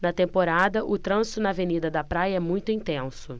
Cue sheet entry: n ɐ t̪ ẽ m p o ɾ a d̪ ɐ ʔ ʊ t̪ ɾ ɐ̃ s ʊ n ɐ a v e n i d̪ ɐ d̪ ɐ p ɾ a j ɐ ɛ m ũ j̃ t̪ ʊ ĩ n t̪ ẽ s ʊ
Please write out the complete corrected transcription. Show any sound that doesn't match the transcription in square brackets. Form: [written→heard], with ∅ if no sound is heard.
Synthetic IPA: n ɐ t̪ ẽ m p o ɾ a d̪ ɐ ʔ ʊ t̪ ɾ ɐ̃ s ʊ n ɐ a v e n i d̪ ɐ d̪ ɐ p ɾ a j ɐ ɛ m ũ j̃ t̪ ʊ ĩ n t̪ ẽ s ʊ